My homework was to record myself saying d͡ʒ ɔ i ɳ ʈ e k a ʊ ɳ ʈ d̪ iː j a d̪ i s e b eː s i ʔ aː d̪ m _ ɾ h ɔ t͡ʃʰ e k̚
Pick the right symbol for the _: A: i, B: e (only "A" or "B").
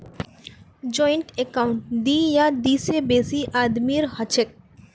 A